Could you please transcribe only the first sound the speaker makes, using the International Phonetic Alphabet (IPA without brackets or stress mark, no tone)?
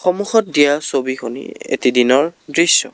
x